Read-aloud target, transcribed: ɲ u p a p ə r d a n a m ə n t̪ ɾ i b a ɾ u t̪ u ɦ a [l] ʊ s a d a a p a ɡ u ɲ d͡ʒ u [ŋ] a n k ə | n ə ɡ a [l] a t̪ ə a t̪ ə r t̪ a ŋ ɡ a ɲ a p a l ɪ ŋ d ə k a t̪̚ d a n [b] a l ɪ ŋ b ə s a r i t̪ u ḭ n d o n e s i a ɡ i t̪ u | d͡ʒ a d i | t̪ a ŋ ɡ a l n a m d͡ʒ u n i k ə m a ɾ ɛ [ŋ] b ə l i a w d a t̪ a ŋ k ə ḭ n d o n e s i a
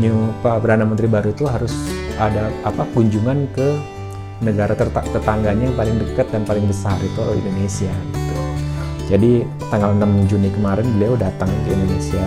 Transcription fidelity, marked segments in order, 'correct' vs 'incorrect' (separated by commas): incorrect, correct, incorrect, incorrect, incorrect